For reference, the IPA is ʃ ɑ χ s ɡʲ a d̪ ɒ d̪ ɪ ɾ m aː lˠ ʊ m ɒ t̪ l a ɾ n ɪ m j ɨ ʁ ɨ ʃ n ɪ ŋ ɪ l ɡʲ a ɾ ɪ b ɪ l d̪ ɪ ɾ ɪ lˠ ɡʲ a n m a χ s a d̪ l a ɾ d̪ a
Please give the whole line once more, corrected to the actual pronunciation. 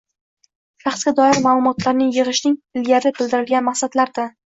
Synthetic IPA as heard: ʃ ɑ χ s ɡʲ a d̪ ɒ ɪ ɾ m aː lˠ ʊ m ɒ t̪ l a ɾ n ɪ ŋ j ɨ ʁ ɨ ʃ n ɪ ŋ ɪ l ɡʲ a ɾ ɪ b ɪ l d̪ ɪ ɾ ɪ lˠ ɡʲ a n m a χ s a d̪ l a ɾ d̪ a